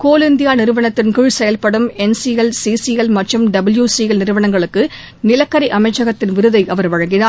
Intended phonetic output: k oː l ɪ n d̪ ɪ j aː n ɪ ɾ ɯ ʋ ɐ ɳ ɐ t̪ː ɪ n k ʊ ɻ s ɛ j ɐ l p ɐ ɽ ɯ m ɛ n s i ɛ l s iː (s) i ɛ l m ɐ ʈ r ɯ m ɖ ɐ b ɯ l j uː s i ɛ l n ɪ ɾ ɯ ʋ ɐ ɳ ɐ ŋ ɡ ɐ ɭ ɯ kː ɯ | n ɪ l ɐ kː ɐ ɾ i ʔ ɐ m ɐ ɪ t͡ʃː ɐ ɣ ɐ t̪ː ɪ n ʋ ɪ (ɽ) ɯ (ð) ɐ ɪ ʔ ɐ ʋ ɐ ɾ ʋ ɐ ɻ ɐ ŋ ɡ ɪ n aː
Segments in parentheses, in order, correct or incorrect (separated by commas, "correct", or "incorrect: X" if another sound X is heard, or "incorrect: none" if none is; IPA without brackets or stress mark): correct, incorrect: ɾ, correct